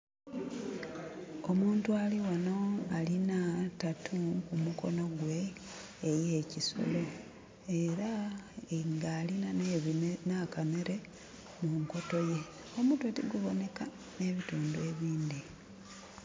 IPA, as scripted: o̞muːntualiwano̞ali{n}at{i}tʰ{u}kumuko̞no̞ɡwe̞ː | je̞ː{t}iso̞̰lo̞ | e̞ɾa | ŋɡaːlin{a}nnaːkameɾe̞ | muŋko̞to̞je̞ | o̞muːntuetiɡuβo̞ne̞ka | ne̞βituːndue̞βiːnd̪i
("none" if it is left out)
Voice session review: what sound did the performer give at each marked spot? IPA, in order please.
n, a, u, c, a

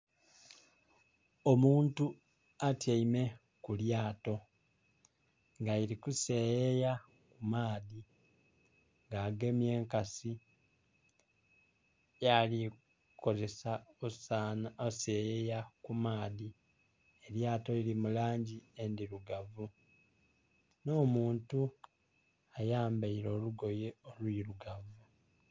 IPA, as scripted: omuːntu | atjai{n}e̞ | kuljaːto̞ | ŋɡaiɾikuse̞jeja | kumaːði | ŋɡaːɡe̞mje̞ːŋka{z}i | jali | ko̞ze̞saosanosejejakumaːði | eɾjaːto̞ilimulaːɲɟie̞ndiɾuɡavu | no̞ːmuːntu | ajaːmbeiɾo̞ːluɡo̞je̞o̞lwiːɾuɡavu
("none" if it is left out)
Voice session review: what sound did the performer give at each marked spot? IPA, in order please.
m, s

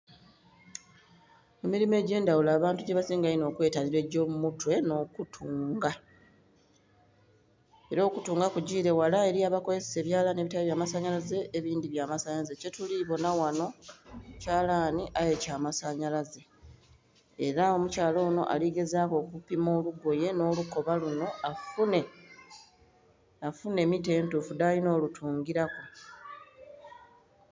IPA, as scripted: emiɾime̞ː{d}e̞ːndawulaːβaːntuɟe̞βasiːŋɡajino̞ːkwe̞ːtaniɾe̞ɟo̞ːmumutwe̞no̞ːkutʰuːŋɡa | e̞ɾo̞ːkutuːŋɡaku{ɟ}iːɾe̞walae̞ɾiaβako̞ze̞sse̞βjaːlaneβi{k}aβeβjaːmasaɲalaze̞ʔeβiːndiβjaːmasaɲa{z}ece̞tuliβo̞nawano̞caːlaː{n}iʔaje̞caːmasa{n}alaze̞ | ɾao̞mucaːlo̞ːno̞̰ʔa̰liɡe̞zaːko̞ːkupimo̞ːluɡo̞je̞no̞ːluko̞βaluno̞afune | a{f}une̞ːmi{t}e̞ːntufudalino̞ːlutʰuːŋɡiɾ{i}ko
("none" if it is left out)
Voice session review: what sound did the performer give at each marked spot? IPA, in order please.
ɟ, ɟ, t, z, n, ɲ, f, t, a

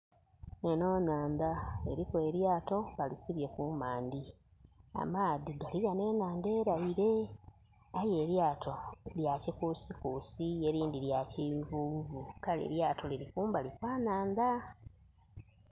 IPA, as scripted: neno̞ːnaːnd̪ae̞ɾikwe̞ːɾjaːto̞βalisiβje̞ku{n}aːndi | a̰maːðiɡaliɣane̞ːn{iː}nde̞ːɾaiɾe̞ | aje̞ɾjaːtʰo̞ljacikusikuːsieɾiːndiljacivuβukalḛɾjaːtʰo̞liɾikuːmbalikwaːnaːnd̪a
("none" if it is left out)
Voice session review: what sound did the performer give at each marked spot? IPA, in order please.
m, aː

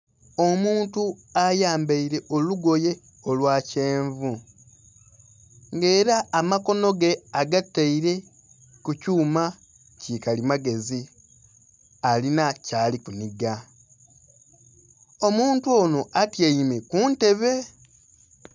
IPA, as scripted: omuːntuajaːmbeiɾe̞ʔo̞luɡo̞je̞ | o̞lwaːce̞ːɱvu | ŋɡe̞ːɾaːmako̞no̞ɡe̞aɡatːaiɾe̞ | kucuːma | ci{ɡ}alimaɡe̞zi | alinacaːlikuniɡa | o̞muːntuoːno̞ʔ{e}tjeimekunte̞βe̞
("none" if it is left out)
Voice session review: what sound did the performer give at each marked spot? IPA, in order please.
k, a

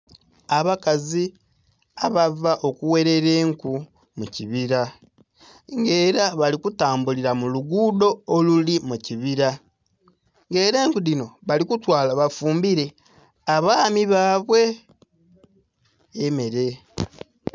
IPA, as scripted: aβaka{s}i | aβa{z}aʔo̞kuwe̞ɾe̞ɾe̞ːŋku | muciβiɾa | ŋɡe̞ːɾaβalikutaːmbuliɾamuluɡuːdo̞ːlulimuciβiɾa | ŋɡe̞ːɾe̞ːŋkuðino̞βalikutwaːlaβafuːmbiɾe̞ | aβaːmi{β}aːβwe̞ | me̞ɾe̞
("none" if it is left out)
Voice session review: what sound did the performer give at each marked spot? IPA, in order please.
z, v, β

